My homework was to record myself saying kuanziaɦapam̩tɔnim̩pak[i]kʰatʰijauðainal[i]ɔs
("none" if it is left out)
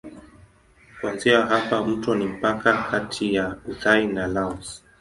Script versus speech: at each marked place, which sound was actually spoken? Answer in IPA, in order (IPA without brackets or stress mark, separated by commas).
a, a